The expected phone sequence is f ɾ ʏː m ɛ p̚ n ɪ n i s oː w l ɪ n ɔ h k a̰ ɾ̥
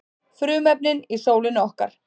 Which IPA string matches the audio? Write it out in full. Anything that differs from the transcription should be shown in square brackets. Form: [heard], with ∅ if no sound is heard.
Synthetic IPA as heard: f ɾ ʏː m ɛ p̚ n ɪ n i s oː w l ɪ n ɔ h k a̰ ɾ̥